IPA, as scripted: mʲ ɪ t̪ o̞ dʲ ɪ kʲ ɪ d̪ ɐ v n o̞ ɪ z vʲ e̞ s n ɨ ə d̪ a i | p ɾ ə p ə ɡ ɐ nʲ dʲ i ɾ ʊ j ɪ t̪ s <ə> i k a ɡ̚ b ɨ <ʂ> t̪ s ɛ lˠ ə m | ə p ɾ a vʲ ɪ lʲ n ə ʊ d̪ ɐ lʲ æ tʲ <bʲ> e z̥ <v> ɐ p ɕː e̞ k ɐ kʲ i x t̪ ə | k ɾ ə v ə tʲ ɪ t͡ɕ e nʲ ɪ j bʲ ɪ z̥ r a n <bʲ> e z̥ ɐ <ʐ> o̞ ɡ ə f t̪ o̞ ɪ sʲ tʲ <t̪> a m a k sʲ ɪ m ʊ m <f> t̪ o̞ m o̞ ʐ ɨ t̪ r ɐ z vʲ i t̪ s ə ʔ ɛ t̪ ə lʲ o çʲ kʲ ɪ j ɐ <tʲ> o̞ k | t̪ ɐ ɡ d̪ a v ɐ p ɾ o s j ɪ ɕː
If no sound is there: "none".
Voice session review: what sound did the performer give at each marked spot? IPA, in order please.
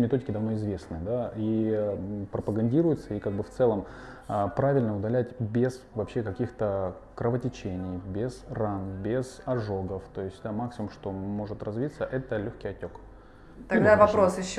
ə, f, bʲ, v, bʲ, ʐ, d̪, ʂ, tʲ

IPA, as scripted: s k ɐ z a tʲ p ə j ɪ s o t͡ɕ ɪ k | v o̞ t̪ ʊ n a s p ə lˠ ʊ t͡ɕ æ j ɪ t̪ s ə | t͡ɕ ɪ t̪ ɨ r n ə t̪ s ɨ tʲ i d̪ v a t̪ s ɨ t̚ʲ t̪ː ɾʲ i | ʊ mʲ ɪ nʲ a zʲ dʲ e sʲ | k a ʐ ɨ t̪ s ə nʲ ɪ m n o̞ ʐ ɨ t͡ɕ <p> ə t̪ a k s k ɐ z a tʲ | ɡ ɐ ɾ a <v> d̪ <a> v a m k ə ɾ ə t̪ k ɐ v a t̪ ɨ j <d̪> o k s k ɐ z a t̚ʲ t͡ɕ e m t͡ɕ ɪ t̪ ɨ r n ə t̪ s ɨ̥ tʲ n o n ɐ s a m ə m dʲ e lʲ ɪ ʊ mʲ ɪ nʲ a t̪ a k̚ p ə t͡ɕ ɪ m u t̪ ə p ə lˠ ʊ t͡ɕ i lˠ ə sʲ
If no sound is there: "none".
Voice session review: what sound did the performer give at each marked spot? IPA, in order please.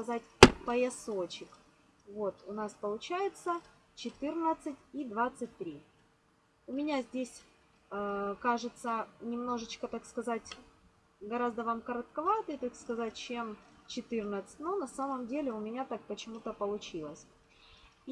k, z, ə, t̪

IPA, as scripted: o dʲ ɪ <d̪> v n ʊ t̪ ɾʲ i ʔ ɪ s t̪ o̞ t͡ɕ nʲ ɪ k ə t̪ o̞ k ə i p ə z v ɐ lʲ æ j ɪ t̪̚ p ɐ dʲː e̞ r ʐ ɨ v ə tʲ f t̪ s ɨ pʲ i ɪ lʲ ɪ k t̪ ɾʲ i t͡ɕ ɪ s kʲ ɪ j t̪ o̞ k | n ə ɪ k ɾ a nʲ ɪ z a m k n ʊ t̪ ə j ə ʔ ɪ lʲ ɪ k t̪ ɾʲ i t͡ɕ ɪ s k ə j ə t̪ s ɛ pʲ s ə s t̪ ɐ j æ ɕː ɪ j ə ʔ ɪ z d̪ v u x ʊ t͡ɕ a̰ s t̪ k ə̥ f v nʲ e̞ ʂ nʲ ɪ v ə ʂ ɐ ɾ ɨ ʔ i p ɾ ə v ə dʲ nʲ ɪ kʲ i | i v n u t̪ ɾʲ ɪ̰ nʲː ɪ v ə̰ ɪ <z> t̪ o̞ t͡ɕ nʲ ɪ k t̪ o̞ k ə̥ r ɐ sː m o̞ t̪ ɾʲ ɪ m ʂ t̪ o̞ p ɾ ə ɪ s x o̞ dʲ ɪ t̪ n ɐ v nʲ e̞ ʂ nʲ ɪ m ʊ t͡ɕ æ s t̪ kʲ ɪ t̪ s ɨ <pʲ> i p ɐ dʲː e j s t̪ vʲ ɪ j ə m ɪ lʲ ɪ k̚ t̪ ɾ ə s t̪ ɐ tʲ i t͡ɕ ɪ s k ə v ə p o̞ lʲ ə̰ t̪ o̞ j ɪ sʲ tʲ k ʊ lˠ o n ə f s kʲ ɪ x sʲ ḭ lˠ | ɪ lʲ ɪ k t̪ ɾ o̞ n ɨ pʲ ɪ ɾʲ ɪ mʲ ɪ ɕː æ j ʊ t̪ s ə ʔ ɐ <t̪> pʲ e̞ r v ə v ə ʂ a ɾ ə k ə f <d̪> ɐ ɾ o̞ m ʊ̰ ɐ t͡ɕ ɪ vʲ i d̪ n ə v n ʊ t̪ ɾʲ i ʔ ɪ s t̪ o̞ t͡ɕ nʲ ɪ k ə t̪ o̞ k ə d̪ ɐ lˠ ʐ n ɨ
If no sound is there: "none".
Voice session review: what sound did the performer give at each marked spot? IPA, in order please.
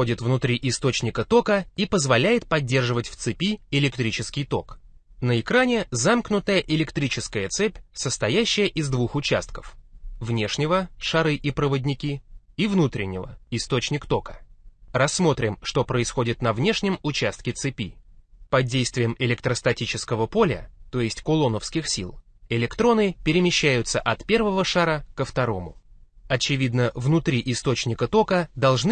t̪, s, pʲ, t̪, t̪

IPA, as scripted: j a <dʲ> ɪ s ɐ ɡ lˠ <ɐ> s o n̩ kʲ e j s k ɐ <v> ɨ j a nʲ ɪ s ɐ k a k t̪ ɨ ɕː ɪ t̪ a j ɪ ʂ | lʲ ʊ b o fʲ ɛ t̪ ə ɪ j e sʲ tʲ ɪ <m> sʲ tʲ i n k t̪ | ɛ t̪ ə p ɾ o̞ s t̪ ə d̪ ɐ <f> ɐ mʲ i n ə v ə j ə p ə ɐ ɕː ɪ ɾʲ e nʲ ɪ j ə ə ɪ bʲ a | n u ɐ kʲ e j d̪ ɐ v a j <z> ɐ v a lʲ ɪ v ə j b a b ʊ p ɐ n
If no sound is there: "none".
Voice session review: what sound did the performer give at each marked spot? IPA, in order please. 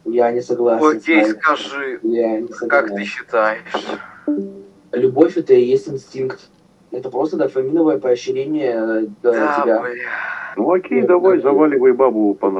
nʲ, a, ʐ, n, f, z

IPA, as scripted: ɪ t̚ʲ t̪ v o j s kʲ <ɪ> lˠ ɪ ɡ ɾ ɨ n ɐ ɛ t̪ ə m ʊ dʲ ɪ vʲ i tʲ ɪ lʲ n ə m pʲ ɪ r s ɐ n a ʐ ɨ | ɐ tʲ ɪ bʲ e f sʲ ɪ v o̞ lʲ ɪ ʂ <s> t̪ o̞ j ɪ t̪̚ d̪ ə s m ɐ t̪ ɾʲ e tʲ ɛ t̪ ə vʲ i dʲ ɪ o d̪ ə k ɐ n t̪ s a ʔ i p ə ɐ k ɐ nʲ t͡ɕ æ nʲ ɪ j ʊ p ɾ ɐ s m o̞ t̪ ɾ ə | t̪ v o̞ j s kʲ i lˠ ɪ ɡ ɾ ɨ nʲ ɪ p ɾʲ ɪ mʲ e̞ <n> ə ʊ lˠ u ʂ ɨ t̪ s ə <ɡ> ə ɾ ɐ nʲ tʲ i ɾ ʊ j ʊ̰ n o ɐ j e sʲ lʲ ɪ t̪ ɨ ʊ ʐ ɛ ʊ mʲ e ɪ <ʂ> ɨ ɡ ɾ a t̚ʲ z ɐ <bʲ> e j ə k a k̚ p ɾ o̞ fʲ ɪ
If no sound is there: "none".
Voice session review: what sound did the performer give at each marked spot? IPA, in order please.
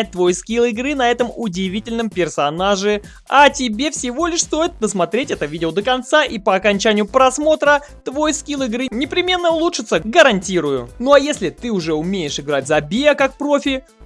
i, s, nː, ɡ, ʂ, bʲ

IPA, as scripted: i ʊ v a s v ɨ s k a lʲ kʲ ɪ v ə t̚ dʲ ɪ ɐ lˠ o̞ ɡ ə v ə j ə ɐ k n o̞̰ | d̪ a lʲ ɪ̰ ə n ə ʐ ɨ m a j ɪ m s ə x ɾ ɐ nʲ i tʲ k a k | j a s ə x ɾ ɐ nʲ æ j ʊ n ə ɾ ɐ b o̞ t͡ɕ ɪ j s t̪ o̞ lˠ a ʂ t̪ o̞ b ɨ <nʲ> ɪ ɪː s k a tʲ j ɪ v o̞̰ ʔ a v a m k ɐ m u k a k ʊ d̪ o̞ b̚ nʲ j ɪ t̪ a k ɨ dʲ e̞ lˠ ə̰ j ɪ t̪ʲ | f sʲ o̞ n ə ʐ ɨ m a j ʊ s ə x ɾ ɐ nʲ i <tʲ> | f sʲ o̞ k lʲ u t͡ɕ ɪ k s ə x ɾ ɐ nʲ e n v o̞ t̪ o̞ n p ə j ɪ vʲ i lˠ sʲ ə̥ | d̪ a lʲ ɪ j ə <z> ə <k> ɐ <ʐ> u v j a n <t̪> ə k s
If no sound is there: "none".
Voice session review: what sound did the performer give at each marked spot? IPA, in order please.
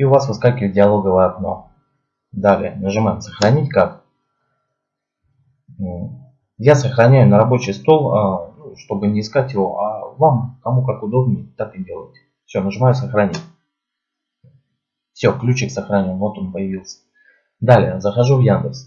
nʲ, tʲ, z, x, ʐ, d̪

